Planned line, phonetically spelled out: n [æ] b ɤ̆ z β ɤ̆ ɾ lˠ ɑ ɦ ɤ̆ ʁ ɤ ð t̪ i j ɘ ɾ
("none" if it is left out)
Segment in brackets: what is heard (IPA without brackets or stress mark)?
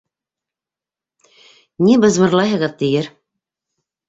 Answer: i